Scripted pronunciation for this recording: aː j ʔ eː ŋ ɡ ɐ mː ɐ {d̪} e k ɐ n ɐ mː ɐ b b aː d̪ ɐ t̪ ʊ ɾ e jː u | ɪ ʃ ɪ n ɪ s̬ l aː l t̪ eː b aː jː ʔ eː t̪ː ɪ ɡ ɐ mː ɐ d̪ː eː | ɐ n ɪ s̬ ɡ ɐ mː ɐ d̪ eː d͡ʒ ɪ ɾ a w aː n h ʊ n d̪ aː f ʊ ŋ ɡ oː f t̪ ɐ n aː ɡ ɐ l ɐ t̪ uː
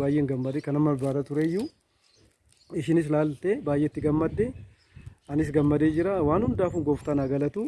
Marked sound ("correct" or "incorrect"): correct